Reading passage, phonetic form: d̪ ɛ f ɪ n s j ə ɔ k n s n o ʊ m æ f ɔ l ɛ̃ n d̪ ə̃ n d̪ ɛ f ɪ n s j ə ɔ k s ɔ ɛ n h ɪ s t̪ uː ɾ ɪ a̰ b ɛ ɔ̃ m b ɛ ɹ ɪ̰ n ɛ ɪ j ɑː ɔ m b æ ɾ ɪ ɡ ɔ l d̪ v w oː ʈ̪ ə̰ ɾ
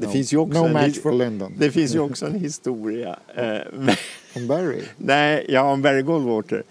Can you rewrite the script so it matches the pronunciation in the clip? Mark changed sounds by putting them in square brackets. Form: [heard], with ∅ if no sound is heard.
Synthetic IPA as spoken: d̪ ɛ f ɪ n s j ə ɔ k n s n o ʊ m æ f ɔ l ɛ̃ n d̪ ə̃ n d̪ ɛ f ɪ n s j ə ɔ k s ɔ ɛ n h ɪ s t̪ uː ɾ ɪ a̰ [m] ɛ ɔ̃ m b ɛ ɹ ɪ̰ n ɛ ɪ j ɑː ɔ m b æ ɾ ɪ ɡ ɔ l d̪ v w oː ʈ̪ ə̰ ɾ